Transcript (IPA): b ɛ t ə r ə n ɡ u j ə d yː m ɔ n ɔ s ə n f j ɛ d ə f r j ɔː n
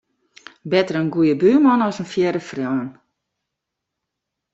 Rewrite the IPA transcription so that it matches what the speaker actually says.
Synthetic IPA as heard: b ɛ t ə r ə n ɡ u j ə b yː m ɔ n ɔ s ə n f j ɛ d ə f r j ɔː n